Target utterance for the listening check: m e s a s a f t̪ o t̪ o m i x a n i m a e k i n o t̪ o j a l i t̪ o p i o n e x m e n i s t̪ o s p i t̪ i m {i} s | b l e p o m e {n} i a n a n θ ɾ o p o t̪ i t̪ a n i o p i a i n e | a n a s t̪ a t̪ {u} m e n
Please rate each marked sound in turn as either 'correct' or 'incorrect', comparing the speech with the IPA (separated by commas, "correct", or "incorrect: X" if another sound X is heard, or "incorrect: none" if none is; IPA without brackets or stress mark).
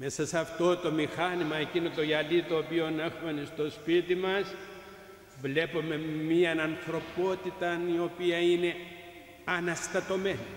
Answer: incorrect: a, incorrect: m, incorrect: o